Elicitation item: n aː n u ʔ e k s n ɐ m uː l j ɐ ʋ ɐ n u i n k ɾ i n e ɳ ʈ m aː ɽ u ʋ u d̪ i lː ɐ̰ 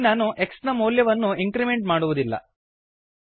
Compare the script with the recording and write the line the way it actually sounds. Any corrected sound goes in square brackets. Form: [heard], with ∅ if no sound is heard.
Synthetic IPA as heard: n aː n u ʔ e k s n ɐ m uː l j ɐ ʋ ɐ [nː] u i [ŋ] k ɾ i [m] e ɳ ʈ m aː ɽ u ʋ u d̪ i lː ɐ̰